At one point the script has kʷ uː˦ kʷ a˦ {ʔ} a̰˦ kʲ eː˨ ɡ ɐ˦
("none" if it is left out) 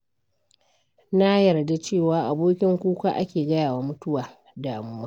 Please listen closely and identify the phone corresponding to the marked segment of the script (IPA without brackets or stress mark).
ʔ